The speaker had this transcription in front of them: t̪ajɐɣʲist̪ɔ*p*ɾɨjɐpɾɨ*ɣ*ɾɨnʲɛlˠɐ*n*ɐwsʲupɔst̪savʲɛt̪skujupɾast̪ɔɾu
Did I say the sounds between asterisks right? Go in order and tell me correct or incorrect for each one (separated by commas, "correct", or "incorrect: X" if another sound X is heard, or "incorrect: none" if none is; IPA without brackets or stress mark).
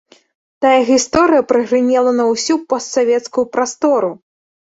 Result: incorrect: none, correct, correct